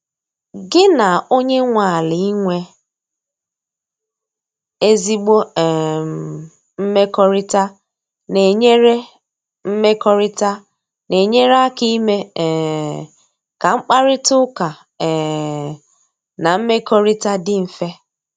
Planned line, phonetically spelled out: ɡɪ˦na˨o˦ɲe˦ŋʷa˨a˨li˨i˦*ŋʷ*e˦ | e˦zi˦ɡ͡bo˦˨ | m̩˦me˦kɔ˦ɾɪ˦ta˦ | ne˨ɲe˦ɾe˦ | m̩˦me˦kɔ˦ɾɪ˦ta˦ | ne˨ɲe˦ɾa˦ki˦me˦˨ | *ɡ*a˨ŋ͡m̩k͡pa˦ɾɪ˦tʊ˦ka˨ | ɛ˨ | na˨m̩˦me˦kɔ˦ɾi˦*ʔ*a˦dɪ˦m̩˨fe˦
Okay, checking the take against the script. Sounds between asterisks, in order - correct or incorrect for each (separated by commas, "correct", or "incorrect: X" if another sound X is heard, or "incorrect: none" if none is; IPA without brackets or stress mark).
correct, incorrect: k, incorrect: t